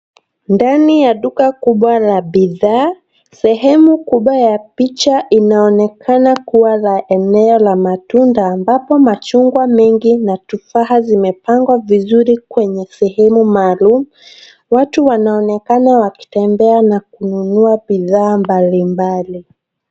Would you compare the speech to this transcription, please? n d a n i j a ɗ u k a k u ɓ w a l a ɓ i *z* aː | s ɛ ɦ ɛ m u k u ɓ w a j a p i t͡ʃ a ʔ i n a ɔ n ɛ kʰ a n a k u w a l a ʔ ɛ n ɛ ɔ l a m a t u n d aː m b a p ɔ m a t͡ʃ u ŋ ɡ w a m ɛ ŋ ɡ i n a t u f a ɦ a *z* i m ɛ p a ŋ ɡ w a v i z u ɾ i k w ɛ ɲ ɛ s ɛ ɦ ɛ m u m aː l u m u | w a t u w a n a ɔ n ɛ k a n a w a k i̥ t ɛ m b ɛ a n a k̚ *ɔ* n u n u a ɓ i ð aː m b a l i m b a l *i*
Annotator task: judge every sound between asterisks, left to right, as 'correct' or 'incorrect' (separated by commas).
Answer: incorrect, correct, incorrect, correct